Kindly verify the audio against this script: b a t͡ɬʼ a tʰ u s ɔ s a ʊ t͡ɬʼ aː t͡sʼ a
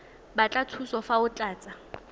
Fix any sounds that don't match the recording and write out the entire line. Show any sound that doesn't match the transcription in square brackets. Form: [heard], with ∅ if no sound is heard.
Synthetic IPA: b a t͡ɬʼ a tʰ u s ɔ [f] a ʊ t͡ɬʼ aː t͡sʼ a